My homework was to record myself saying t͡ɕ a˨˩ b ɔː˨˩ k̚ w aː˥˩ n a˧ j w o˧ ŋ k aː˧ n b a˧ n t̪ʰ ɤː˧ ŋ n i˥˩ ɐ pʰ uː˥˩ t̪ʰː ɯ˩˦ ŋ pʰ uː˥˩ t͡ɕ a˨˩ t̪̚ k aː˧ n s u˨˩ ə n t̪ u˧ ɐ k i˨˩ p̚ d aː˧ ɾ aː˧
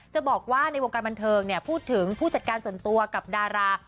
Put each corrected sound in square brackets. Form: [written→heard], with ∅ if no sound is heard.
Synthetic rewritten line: t͡ɕ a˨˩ b ɔː˨˩ k̚ w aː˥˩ n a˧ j w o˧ ŋ k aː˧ n b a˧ n t̪ʰ ɤː˧ ŋ n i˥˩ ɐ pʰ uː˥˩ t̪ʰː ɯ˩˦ ŋ pʰ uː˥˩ t͡ɕ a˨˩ t̪̚ k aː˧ n s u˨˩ ə n t̪ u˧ ɐ k [i˨˩→a˨˩] p̚ d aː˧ ɾ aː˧